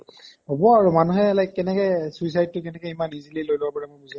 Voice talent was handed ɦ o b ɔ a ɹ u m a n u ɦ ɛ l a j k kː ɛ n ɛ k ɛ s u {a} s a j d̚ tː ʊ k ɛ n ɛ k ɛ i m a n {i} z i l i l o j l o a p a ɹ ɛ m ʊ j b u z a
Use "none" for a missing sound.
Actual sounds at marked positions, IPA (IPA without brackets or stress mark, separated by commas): i, i